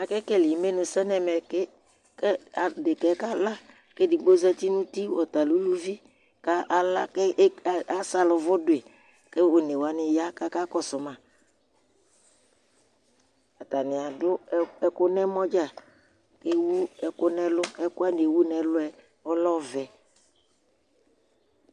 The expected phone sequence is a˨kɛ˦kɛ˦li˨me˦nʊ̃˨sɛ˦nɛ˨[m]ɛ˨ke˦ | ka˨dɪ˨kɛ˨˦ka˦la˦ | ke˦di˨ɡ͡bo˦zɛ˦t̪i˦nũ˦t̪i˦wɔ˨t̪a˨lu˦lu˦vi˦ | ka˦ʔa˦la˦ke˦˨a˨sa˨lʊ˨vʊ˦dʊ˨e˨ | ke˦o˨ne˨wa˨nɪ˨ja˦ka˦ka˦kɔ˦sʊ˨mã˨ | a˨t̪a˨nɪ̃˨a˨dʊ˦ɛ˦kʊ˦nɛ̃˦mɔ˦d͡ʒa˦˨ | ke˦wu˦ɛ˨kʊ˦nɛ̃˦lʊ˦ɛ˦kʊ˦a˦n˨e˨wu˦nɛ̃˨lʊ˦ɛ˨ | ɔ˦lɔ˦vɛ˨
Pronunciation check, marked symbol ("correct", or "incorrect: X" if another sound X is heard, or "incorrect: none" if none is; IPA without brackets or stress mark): correct